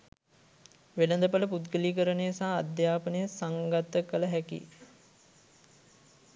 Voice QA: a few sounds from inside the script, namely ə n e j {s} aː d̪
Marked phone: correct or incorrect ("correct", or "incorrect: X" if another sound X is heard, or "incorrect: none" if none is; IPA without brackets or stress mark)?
correct